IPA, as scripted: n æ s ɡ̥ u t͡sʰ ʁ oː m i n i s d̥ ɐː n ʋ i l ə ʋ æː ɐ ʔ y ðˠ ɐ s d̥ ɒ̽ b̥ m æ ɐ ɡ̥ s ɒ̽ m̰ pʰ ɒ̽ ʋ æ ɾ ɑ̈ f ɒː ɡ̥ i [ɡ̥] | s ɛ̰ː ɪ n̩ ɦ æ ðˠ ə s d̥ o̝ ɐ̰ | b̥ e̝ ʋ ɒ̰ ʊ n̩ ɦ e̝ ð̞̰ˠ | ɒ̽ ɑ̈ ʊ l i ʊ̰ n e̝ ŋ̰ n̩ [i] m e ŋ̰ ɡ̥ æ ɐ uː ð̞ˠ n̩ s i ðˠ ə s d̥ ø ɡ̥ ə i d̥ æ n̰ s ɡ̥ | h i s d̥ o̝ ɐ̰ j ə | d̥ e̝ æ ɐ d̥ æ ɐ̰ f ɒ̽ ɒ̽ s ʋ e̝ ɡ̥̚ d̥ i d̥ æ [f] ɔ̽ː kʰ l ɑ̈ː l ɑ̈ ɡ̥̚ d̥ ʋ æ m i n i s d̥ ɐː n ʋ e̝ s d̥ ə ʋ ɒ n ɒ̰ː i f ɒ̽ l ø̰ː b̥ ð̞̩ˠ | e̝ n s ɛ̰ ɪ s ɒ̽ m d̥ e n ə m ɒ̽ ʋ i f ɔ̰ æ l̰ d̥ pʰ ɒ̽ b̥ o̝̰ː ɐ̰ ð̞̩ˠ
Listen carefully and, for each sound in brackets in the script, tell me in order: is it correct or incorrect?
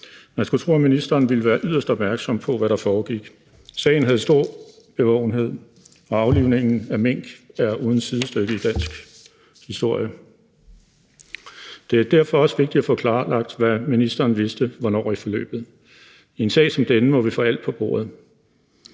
correct, incorrect: æ, correct

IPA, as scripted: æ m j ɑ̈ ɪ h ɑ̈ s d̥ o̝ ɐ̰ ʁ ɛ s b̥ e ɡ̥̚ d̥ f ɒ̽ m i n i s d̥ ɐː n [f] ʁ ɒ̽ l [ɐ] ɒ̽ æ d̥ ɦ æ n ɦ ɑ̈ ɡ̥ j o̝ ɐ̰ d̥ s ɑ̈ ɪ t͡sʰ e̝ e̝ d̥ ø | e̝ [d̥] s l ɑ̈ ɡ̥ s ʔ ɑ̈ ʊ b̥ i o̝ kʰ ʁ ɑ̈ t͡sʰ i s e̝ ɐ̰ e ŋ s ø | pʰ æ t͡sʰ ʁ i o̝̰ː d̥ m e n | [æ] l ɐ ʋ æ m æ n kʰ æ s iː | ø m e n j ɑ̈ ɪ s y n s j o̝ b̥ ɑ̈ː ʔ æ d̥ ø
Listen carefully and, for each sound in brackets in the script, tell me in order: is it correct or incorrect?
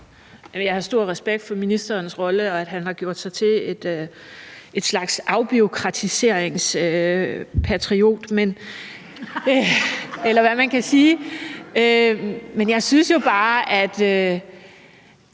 incorrect: s, incorrect: ə, correct, incorrect: e

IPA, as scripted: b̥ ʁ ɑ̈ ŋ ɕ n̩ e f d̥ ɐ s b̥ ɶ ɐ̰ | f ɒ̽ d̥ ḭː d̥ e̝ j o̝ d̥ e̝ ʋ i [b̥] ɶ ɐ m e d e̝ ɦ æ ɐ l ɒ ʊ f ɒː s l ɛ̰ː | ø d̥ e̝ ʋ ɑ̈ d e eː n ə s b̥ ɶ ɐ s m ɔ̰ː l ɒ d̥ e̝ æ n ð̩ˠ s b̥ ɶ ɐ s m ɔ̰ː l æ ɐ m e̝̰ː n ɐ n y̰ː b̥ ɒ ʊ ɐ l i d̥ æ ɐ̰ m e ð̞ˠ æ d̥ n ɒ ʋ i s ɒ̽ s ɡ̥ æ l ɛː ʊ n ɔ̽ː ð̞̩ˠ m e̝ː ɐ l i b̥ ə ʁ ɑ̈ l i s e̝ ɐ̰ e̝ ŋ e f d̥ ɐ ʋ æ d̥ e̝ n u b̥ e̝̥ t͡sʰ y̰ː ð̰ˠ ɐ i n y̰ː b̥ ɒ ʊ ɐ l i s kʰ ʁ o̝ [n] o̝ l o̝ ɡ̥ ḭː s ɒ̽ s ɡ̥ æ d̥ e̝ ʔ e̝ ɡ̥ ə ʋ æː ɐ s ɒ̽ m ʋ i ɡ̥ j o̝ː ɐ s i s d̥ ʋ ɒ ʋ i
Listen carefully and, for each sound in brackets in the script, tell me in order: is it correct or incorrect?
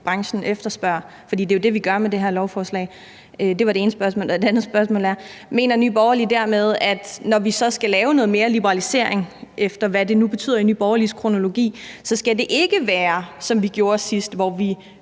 incorrect: ɡ̥, correct

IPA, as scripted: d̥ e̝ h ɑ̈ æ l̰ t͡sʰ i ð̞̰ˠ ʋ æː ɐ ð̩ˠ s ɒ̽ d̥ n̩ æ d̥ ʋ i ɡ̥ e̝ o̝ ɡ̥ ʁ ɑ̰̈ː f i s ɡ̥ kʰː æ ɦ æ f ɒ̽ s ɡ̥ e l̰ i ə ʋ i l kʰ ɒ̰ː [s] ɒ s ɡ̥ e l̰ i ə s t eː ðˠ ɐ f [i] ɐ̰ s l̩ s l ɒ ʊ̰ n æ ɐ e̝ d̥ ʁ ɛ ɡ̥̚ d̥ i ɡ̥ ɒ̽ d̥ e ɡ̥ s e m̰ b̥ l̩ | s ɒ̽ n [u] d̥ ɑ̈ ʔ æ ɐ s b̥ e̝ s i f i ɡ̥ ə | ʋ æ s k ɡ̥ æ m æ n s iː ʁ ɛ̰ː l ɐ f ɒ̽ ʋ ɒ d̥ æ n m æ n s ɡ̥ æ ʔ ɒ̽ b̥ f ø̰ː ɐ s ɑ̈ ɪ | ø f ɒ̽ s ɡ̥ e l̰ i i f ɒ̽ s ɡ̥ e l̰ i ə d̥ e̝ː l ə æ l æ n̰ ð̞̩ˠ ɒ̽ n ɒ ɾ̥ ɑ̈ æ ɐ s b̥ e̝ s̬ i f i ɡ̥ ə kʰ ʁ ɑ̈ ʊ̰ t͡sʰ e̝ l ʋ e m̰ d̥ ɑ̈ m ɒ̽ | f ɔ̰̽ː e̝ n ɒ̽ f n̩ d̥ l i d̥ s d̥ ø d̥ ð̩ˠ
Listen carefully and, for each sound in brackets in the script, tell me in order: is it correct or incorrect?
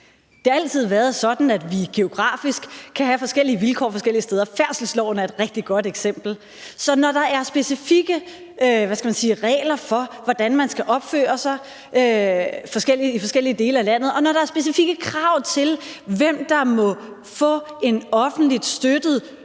incorrect: f, incorrect: æ, incorrect: ɒ

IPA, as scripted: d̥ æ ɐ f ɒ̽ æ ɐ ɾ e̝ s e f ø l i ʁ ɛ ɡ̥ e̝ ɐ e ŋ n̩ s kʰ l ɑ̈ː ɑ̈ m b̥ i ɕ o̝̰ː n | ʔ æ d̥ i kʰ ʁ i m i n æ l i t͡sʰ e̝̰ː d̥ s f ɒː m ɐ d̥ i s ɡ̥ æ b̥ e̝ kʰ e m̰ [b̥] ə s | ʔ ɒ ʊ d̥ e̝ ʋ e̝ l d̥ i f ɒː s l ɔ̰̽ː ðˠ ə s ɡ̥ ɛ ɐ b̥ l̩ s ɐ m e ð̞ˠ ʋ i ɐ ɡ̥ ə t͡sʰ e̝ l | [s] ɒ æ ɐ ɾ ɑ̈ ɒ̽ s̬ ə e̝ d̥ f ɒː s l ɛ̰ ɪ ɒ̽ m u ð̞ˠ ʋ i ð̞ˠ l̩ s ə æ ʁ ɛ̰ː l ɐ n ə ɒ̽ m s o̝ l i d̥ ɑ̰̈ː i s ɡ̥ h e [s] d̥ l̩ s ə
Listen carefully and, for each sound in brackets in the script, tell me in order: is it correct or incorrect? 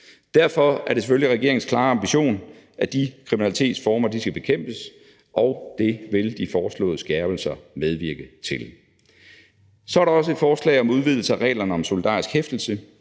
correct, correct, incorrect: f

